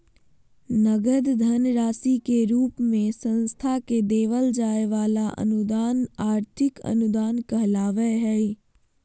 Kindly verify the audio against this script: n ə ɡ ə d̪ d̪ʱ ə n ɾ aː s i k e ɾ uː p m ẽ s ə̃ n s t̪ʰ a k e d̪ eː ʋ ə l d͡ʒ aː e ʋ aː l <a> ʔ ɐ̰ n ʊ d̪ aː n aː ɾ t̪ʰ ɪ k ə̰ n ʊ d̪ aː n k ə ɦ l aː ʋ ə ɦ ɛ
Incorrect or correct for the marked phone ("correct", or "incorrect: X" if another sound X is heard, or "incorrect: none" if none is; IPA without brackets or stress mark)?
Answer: correct